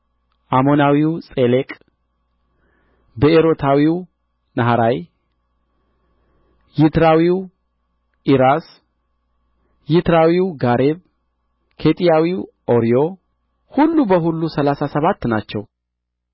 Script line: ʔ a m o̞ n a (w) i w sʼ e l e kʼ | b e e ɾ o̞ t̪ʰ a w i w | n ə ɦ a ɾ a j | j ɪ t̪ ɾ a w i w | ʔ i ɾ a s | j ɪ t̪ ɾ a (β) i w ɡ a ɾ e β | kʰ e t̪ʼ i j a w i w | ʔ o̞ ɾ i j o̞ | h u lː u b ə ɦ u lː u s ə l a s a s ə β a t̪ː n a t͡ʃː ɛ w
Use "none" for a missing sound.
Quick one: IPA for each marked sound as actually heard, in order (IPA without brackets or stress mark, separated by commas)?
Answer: w, w